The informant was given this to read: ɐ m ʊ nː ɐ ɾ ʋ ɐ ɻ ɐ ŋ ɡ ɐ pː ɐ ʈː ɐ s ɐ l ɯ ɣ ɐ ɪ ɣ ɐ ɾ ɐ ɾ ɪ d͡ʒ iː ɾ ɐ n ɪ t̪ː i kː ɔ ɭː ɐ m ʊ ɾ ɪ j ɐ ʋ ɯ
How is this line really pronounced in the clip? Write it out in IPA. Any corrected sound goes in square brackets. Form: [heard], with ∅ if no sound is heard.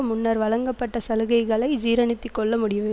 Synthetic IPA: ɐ m ʊ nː ɐ ɾ ʋ ɐ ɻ ɐ ŋ ɡ ɐ pː ɐ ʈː ɐ s ɐ l ɯ ɣ ɐ ɪ ɣ ɐ [ɭ] ɐ [∅] ɪ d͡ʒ iː ɾ ɐ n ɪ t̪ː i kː ɔ ɭː ɐ m ʊ [ɽ] ɪ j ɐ ʋ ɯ

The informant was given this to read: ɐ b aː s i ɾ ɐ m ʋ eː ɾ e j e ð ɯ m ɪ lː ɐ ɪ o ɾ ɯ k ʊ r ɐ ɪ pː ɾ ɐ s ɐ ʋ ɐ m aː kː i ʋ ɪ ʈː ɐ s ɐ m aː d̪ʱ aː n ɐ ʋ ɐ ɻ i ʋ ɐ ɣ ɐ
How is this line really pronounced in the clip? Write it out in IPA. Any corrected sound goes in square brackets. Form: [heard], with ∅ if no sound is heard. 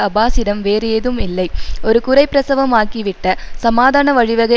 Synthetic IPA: ɐ b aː s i ɾ ɐ m ʋ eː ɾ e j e ð ɯ m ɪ lː ɐ ɪ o ɾ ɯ k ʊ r ɐ ɪ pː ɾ ɐ s ɐ ʋ ɐ m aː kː i ʋ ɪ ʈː ɐ s ɐ m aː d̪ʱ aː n ɐ ʋ ɐ ɻ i ʋ ɐ ɣ ɐ

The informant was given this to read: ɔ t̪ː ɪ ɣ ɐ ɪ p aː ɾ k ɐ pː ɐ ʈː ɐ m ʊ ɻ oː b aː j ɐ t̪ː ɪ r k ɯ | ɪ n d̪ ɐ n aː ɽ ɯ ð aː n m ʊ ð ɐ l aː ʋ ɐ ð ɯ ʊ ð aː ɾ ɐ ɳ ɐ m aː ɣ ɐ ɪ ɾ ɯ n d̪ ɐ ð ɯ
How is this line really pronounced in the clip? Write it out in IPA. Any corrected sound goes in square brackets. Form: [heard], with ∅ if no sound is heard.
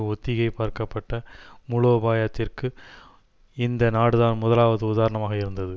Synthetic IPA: ɔ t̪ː ɪ ɣ ɐ ɪ p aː ɾ k ɐ pː ɐ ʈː ɐ m ʊ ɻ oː b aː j ɐ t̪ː ɪ r k ɯ | ɪ n d̪ ɐ n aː ɽ ɯ ð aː n m ʊ ð ɐ l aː ʋ ɐ ð ɯ ʊ ð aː ɾ ɐ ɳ ɐ m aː ɣ ɐ ɪ ɾ ɯ n d̪ ɐ ð ɯ

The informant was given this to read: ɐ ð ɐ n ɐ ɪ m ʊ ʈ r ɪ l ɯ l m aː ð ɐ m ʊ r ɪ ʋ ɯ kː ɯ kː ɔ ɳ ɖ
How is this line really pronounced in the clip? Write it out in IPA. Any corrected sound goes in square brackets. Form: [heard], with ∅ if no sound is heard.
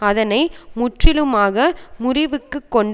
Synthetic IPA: ɐ ð ɐ n ɐ ɪ m ʊ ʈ r ɪ l ɯ [∅] m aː [ɣ] ɐ m ʊ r ɪ ʋ ɯ kː ɯ kː ɔ ɳ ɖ

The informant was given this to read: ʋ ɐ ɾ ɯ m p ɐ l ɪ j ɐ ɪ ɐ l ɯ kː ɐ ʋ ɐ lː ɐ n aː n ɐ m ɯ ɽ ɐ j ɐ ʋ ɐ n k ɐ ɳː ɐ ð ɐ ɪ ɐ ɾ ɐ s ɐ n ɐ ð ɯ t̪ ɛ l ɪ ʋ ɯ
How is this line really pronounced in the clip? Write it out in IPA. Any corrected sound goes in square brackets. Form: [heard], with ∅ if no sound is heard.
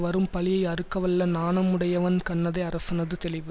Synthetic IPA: ʋ ɐ ɾ ɯ m p ɐ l ɪ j ɐ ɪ ɐ [ɾ] ɯ kː ɐ ʋ ɐ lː ɐ n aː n ɐ m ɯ ɽ ɐ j ɐ ʋ ɐ n k ɐ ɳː ɐ ð ɐ ɪ ɐ ɾ ɐ s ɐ n ɐ ð ɯ t̪ ɛ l ɪ ʋ ɯ

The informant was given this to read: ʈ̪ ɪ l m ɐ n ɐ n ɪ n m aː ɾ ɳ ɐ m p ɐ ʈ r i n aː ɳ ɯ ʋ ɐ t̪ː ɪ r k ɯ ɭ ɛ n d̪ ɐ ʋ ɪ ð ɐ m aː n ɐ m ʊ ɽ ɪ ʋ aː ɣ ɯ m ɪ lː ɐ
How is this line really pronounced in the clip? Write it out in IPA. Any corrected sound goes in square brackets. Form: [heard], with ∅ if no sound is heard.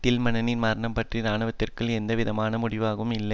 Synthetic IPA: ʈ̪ ɪ l m ɐ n ɐ n ɪ n m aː ɾ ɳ ɐ m p ɐ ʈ r i n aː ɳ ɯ ʋ ɐ t̪ː ɪ r k ɯ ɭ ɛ n d̪ ɐ ʋ ɪ ð ɐ m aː n ɐ m ʊ ɽ ɪ ʋ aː ɣ ɯ m ɪ lː ɐ

